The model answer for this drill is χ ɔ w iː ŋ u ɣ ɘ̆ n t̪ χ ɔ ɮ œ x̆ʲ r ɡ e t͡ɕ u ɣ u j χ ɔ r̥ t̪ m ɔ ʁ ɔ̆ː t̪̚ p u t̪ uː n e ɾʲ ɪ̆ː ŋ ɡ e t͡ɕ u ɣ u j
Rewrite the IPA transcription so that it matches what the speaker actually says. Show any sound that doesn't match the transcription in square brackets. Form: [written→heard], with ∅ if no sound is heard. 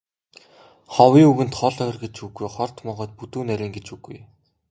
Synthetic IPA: χ ɔ w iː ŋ u ɣ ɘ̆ n t̪ χ ɔ ɮ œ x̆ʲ r ɡ e t͡ɕ u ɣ u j χ ɔ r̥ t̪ m ɔ ʁ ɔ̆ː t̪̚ p u t̪ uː n [e→æ] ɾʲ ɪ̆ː ŋ ɡ e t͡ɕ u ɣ u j